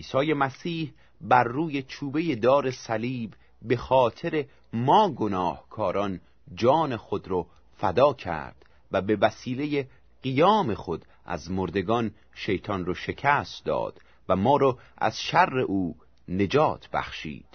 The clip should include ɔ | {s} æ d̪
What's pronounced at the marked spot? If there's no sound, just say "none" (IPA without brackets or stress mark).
f